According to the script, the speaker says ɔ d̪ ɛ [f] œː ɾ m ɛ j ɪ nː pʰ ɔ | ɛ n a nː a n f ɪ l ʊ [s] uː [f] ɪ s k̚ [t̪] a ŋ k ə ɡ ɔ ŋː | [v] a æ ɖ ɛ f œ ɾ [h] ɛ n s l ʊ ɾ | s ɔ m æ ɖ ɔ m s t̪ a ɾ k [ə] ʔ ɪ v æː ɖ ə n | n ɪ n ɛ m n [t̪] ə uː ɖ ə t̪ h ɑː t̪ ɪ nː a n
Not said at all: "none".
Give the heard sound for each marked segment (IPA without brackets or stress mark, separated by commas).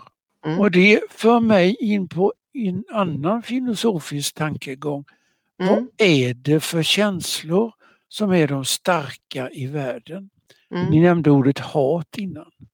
f, s, f, t̪ʰ, v, ɕ, a, d̪